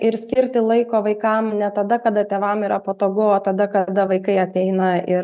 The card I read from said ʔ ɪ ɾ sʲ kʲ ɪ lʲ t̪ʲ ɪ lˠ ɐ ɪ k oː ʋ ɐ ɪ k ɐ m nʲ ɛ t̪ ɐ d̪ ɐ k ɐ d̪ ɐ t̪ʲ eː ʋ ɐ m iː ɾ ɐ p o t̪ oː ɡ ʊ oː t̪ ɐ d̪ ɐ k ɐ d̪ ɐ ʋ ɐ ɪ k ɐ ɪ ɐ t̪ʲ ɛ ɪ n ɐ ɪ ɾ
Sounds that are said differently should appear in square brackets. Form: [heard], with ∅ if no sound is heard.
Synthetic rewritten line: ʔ ɪ ɾ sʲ kʲ ɪ [ɾʲ] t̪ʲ ɪ lˠ ɐ ɪ k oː ʋ ɐ ɪ k ɐ m nʲ ɛ t̪ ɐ d̪ ɐ k ɐ d̪ ɐ t̪ʲ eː ʋ ɐ m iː ɾ ɐ p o t̪ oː ɡ ʊ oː t̪ ɐ d̪ ɐ k ɐ d̪ ɐ ʋ ɐ ɪ k ɐ ɪ ɐ t̪ʲ ɛ ɪ n ɐ ɪ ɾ